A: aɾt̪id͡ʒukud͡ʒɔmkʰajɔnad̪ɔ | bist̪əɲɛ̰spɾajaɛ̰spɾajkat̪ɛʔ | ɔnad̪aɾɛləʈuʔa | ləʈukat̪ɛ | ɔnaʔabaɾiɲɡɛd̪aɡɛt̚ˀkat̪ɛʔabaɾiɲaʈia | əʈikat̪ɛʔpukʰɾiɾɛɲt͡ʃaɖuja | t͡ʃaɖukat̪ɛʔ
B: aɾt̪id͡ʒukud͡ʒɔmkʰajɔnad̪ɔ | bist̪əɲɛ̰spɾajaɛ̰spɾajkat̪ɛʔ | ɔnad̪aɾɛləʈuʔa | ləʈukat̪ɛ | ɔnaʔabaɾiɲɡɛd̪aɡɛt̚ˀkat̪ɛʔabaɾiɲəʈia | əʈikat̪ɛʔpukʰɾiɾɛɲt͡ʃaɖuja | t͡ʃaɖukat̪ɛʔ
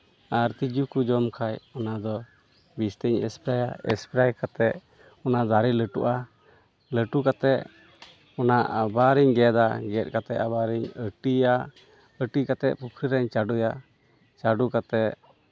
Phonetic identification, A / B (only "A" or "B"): B